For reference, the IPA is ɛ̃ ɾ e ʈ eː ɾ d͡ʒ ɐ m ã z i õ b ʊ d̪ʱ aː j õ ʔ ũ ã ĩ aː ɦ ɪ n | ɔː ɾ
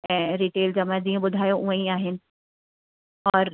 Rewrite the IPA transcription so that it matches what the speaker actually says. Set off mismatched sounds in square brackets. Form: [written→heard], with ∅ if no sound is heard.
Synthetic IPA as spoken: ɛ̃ ɾ [e→i] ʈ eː [ɾ→l] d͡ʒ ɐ m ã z i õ b ʊ d̪ʱ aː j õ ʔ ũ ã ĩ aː ɦ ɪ n | ɔː ɾ